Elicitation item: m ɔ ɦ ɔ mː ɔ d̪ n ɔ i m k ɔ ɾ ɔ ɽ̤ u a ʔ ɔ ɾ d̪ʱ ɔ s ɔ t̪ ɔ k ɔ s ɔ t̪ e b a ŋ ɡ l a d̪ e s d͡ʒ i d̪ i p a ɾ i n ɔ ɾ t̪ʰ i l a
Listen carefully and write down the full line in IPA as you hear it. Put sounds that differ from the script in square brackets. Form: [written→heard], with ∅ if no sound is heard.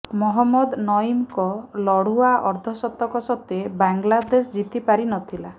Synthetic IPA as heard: m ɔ ɦ ɔ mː ɔ d̪ n ɔ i m k ɔ [ɾ→l] ɔ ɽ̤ u a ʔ ɔ ɾ d̪ʱ ɔ s ɔ t̪ ɔ k ɔ s ɔ t̪ e b a ŋ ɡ l a d̪ e s d͡ʒ i [d̪→t̪] i p a ɾ i n ɔ [ɾ→∅] t̪ʰ i l a